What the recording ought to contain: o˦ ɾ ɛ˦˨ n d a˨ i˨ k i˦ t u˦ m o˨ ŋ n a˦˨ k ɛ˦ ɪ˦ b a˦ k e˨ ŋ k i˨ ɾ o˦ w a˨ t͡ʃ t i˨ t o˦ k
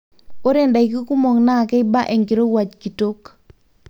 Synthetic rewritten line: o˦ ɾ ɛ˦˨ n d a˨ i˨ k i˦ k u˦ m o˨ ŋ n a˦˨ k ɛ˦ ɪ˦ b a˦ ʔ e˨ ŋ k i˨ ɾ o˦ w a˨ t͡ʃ k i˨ t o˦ k